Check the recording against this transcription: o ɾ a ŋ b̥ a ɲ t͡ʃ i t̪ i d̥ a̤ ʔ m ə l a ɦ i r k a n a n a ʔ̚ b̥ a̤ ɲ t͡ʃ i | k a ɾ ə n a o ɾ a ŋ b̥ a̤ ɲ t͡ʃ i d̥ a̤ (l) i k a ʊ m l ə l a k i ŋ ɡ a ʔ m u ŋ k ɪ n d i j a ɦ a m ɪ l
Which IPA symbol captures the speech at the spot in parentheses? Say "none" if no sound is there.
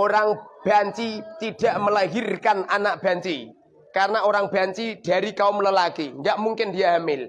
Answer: ɾ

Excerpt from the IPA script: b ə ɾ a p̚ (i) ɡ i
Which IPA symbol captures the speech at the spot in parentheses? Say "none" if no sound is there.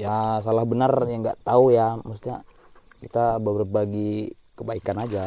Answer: a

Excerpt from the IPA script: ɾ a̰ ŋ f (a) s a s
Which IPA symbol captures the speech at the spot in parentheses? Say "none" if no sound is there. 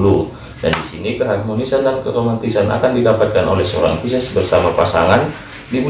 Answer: i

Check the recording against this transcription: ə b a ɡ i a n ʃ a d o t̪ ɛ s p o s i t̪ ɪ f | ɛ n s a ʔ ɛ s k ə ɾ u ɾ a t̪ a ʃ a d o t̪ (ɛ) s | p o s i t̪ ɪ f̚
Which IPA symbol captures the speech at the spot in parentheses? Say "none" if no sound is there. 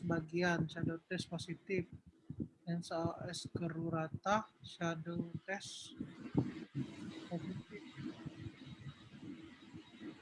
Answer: ɛ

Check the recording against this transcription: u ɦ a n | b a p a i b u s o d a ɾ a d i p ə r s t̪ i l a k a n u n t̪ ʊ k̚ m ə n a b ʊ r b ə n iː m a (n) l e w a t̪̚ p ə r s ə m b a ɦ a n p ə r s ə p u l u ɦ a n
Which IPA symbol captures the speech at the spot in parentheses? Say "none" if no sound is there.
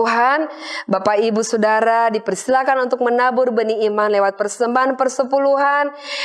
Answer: n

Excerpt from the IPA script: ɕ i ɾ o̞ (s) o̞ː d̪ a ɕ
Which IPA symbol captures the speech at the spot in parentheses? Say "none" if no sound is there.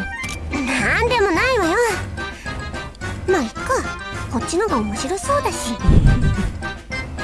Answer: s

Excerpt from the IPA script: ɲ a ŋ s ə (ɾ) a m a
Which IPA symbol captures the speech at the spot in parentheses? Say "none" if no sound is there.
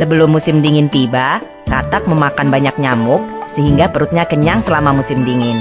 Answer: l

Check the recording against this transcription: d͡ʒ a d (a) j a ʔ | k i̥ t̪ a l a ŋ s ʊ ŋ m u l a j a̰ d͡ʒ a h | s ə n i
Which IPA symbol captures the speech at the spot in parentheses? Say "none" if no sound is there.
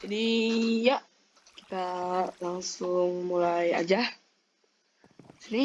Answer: i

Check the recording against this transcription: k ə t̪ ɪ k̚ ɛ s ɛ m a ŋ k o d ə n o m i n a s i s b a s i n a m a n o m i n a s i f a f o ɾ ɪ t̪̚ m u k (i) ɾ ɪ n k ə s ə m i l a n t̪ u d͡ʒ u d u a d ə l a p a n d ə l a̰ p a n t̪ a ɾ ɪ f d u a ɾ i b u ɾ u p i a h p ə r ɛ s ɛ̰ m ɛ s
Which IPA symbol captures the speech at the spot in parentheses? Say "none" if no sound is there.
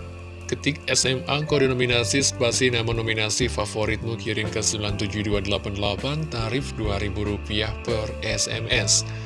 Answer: i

